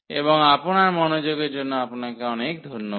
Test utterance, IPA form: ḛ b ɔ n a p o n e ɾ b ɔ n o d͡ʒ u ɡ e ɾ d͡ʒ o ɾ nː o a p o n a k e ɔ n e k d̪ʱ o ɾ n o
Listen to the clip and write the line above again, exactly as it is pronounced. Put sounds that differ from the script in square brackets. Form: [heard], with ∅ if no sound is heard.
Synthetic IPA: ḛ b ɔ [ŋ] a p o n [a] ɾ [m] ɔ n o d͡ʒ [o] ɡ e ɾ d͡ʒ o [∅] nː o a p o n a k e ɔ n e k d̪ʱ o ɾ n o

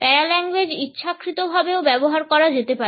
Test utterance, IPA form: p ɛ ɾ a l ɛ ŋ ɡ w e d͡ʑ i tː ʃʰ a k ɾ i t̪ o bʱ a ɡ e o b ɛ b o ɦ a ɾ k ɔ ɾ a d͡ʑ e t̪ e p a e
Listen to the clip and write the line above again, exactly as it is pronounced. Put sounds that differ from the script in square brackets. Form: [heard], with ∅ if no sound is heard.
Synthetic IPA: p ɛ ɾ a l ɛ ŋ ɡ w e d͡ʑ i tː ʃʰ a k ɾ i t̪ o bʱ a [b] e o b ɛ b o ɦ a ɾ k ɔ ɾ a d͡ʑ e t̪ e p a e

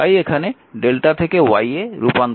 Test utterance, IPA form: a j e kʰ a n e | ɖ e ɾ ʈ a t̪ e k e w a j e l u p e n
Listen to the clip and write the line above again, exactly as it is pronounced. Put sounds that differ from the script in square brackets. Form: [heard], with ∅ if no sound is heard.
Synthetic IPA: a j e kʰ a n e | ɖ e [l] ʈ a [t̪ʰ] e k e w a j e [ɾ] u p [a] n

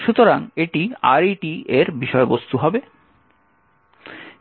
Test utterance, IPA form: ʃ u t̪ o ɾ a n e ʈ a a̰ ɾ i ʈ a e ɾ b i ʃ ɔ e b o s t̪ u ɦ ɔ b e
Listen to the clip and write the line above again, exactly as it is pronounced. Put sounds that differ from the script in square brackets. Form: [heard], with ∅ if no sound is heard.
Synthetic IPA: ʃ u t̪ o ɾ a [ŋ] e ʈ [i] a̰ ɾ i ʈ [i] e ɾ b i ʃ ɔ e b o s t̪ u ɦ ɔ b e

